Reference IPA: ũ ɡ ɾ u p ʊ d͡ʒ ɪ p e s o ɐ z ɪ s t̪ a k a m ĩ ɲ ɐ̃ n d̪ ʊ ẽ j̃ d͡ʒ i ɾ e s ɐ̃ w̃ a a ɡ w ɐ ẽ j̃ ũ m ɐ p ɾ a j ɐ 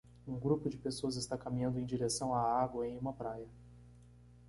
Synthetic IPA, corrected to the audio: ũ ɡ ɾ u p ʊ d͡ʒ ɪ p e s o ɐ z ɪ s t̪ a k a m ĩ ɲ ɐ̃ n d̪ ʊ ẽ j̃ d͡ʒ i ɾ e s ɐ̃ w̃ a a ɡ w ɐ ẽ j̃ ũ m ɐ p ɾ a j ɐ